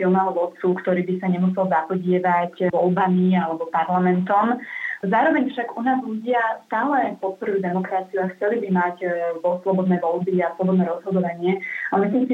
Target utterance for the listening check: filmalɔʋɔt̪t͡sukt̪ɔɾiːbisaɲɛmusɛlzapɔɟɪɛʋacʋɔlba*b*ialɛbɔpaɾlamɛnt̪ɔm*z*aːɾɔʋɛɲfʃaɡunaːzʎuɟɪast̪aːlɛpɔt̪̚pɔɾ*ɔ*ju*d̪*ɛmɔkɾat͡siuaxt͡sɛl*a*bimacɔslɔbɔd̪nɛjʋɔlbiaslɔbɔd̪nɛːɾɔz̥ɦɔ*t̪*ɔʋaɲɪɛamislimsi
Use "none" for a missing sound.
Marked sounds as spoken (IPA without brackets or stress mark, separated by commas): m, z, u, d̪, i, d̪